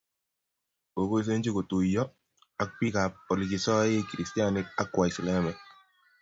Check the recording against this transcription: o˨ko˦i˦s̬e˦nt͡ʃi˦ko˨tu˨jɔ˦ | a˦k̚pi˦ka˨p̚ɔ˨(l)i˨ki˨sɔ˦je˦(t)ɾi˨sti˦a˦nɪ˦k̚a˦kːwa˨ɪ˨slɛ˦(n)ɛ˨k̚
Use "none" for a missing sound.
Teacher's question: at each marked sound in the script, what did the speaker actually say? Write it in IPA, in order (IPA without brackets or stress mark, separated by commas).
l, k, m